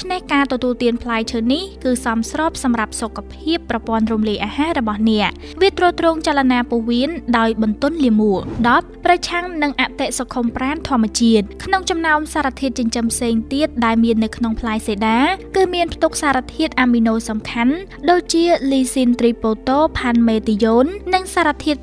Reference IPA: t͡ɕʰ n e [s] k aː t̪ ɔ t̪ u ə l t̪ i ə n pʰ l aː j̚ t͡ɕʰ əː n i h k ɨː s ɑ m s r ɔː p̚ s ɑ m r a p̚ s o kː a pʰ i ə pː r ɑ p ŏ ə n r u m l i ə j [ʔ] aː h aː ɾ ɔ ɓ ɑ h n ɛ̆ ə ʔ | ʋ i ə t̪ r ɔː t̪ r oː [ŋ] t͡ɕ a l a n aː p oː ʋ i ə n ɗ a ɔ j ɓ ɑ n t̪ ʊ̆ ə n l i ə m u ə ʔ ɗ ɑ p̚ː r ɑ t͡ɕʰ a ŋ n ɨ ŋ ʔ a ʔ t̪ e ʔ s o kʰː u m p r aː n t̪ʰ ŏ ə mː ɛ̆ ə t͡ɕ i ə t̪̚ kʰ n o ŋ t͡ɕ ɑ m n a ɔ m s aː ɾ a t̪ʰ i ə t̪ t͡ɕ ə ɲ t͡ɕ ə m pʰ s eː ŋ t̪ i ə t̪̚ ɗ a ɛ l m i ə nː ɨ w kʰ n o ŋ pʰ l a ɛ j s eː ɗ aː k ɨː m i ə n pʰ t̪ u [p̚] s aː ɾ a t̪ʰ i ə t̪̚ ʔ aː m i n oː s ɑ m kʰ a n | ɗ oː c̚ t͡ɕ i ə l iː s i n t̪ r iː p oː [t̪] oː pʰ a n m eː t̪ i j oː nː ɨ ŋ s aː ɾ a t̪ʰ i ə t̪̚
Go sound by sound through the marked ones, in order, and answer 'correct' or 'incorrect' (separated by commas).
incorrect, correct, correct, incorrect, correct